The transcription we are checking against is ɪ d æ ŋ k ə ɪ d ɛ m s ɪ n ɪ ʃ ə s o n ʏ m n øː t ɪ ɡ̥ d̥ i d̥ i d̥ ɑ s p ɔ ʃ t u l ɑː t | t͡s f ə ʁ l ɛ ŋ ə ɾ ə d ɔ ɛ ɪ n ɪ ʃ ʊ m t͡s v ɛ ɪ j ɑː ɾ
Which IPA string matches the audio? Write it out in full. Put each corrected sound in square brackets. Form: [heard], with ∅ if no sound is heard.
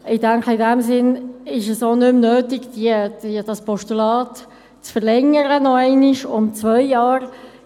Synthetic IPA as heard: ɪ d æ ŋ k ə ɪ d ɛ m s ɪ n ɪ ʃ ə s o n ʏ m n øː t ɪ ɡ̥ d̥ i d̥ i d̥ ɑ s p ɔ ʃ t u l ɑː t | t͡s f ə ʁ l ɛ ŋ ə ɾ ə [n] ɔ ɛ ɪ n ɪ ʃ ʊ m t͡s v [œ] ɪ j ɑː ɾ